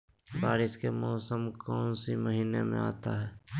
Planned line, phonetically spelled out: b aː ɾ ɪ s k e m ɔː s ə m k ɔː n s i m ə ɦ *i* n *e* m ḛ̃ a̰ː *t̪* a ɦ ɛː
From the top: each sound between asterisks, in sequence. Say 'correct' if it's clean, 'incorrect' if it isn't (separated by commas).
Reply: incorrect, correct, correct